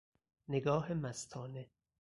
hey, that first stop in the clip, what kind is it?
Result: plain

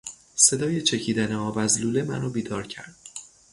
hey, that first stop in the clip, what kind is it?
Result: plain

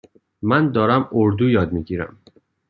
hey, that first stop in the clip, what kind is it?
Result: plain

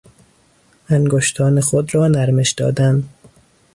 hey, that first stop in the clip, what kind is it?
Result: plain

